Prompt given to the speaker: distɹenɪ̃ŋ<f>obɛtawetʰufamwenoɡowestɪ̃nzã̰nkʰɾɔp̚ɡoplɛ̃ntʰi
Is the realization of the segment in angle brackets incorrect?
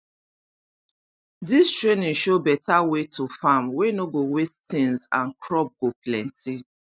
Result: yes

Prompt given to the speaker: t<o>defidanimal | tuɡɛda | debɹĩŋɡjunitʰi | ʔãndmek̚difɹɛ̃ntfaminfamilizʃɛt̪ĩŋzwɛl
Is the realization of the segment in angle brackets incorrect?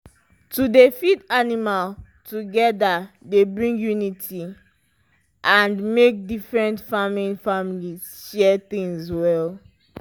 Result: yes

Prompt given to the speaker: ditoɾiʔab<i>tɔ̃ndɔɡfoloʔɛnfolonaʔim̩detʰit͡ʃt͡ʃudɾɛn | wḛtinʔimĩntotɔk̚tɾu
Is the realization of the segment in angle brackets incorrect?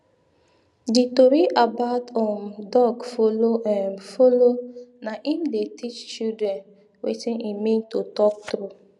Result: yes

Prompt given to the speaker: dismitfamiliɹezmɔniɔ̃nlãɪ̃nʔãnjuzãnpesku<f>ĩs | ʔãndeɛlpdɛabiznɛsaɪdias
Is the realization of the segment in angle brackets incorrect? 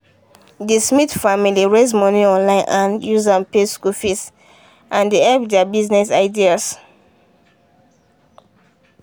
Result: no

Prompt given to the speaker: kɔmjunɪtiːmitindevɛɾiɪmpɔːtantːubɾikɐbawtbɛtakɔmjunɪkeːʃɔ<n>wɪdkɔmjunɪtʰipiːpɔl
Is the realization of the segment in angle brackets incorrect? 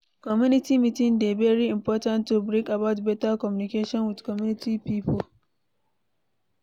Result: no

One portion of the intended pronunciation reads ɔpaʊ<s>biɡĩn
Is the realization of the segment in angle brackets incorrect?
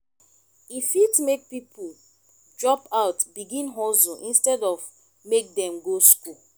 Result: yes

